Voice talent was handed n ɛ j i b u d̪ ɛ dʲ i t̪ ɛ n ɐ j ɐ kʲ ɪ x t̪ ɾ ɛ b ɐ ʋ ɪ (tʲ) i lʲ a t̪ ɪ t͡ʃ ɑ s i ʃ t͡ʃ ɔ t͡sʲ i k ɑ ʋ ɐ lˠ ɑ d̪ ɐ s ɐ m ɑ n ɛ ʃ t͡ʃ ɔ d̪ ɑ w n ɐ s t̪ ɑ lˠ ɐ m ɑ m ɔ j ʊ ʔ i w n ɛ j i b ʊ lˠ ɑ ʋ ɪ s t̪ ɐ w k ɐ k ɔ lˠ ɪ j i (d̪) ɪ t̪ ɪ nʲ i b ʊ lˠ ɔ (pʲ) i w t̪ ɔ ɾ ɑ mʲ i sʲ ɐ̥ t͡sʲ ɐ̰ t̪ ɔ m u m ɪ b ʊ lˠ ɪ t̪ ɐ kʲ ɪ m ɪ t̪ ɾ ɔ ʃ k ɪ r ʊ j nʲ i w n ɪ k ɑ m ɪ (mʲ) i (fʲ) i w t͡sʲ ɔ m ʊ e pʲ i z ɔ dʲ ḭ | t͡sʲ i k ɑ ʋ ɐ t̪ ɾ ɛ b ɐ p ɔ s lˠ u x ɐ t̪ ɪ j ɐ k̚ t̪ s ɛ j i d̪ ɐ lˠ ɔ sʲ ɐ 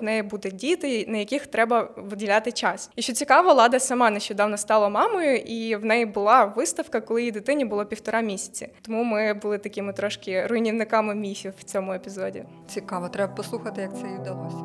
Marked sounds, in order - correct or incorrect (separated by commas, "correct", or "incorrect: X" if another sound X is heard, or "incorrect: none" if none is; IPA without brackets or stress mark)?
incorrect: dʲ, correct, correct, correct, correct